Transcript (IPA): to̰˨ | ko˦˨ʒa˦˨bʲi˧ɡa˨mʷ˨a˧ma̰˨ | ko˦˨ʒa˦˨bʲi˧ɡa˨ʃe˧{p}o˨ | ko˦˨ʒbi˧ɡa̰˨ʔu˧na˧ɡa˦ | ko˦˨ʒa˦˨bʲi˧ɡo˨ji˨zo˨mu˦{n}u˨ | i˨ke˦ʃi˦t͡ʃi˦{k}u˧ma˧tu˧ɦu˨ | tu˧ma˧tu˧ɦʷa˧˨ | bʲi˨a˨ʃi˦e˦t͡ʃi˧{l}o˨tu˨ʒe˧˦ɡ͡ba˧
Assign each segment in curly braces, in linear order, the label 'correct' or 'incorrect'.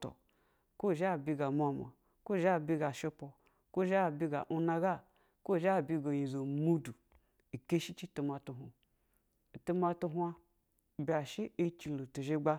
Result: correct, incorrect: d, incorrect: t, correct

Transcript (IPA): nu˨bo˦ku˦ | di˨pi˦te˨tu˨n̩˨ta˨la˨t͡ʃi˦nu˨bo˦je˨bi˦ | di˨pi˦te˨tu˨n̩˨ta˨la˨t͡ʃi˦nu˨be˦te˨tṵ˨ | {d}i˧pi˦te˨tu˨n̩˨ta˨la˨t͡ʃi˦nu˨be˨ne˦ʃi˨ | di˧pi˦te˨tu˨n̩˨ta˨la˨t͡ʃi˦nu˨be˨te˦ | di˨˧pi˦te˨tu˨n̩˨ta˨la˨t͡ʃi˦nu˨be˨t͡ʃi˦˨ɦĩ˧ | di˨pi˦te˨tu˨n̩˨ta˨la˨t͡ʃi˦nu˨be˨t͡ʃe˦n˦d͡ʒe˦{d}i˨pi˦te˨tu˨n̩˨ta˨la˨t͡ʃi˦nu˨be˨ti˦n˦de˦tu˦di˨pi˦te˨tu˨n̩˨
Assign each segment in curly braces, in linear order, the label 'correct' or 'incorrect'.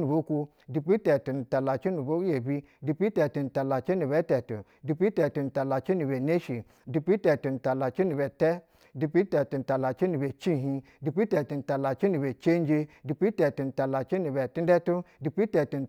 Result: correct, correct

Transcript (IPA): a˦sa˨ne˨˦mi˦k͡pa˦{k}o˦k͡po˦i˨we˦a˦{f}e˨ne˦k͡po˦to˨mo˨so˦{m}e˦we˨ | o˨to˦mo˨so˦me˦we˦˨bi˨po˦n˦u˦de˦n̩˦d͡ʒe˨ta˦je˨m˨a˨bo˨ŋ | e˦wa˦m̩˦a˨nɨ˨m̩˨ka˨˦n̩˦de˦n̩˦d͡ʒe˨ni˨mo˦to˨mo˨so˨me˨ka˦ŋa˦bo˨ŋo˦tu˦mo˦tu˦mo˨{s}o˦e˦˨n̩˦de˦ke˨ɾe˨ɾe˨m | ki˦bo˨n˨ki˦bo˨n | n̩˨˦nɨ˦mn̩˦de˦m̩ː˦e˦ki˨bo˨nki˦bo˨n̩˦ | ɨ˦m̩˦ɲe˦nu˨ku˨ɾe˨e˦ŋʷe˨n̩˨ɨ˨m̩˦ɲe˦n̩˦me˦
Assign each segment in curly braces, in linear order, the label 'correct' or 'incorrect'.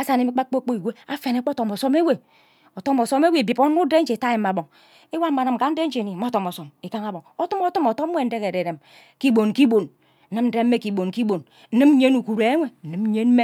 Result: incorrect: k͡p, correct, correct, incorrect: t

